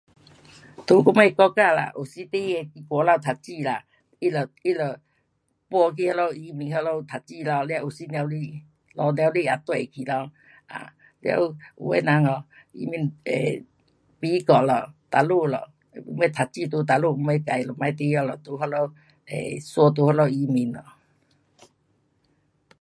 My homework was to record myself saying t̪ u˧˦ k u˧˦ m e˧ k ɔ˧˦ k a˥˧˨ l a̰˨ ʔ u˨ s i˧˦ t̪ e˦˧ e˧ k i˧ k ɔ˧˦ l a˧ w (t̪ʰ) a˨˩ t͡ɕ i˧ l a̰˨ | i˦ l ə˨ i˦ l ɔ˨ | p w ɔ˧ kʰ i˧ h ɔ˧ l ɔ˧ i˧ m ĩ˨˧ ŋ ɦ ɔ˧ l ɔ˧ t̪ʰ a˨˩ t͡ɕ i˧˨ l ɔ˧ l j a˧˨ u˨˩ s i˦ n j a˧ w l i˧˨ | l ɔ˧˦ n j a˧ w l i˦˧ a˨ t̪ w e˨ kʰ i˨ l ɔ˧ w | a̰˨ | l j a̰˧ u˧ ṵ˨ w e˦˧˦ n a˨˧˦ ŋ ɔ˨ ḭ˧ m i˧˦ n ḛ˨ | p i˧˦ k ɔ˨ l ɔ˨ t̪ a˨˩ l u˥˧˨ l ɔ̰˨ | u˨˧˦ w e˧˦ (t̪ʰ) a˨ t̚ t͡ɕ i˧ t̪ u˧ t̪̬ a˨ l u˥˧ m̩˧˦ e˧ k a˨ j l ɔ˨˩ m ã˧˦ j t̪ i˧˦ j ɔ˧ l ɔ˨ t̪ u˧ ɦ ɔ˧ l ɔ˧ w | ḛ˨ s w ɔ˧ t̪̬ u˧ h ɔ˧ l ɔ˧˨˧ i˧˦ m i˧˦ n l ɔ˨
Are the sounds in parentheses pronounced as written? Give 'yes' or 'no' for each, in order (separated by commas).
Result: yes, yes